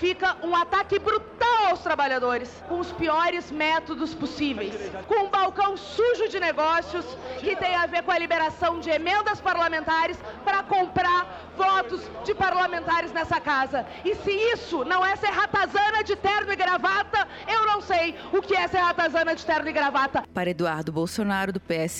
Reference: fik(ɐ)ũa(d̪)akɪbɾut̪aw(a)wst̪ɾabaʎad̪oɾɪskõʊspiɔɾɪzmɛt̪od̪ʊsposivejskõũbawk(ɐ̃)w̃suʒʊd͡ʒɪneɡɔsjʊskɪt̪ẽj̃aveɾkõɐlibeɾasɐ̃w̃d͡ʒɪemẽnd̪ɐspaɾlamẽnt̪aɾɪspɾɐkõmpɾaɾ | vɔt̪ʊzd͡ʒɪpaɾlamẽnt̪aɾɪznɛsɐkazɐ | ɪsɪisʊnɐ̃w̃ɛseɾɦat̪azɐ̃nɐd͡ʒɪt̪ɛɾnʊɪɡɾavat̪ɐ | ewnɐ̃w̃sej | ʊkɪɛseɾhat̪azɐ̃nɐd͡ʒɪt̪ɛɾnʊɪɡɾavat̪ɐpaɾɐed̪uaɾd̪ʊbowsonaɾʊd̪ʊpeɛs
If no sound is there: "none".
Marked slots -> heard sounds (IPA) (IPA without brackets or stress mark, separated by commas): ɐ, t̪, a, ɐ̃